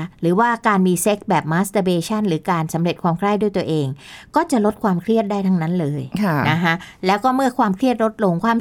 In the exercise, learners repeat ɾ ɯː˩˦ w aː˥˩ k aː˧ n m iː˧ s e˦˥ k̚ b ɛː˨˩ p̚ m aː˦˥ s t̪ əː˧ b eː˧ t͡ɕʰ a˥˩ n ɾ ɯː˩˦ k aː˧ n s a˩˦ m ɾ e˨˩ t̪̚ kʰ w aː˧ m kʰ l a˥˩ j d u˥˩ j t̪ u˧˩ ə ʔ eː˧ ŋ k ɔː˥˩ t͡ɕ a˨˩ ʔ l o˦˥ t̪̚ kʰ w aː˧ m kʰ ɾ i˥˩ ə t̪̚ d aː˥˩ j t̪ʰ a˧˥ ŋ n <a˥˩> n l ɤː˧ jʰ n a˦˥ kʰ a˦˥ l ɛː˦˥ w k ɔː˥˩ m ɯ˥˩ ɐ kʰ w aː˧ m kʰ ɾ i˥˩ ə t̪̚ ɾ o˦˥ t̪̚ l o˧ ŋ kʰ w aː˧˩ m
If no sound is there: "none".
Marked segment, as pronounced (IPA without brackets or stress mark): a˦˥